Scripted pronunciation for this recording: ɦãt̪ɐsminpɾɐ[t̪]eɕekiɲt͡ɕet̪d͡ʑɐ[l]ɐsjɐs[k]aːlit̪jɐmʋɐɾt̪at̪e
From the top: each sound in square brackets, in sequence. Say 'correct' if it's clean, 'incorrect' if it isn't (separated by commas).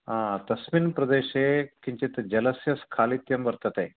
incorrect, correct, incorrect